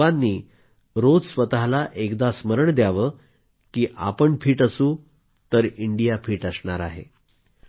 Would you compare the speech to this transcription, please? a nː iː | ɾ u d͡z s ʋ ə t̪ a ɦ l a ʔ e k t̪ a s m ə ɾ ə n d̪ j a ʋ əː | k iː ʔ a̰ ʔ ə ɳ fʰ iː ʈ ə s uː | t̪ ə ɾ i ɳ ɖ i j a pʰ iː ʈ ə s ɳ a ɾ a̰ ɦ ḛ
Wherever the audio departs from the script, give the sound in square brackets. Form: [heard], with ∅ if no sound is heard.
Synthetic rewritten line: a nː iː | ɾ [o] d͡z s ʋ ə t̪ a ɦ l a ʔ e k [d̪] a s m ə ɾ ə [ɳ] d̪ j a ʋ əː | k iː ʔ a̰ [p] ə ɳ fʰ iː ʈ ə s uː | t̪ ə ɾ i ɳ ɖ i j a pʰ iː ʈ ə s ɳ a ɾ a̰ ɦ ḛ